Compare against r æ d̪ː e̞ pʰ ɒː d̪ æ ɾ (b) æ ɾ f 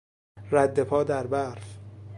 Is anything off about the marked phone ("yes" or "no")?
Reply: no